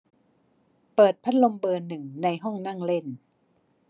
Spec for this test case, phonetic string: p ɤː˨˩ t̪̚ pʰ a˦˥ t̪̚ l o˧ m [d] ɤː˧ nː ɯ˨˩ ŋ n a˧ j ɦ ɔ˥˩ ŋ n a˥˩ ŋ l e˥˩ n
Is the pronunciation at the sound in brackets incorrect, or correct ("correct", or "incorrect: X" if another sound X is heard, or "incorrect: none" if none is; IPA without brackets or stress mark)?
incorrect: b